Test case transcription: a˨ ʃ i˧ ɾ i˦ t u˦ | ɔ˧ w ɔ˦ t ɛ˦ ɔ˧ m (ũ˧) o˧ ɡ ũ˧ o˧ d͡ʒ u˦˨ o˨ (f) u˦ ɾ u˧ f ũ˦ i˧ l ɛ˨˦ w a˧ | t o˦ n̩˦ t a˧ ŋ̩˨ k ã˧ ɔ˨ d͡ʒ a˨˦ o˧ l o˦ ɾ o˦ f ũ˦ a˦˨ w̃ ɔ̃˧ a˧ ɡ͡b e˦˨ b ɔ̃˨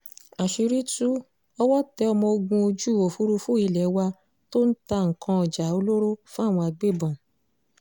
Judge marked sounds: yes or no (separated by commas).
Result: no, yes